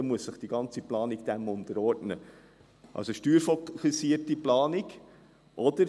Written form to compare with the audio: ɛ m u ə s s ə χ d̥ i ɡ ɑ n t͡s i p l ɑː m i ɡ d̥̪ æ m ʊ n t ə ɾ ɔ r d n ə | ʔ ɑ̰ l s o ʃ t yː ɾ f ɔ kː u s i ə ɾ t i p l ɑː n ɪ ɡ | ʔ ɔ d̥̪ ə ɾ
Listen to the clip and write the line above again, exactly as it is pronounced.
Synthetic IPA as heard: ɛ m u ə s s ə χ d̥ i ɡ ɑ n t͡s i p l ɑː n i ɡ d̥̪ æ m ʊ n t ə ɾ ɔ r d n ə | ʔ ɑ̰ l s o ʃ t yː ɾ f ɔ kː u s i ə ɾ t i p l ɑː n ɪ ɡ | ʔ ɔ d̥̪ ə ɾ